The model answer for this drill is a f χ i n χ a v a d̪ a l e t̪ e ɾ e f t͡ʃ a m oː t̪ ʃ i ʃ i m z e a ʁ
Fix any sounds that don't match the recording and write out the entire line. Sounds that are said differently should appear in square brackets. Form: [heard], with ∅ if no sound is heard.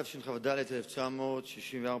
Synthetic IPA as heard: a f [ʃ] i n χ a v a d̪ a l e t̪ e [l] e f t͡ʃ a m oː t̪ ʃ i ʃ i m [v] e a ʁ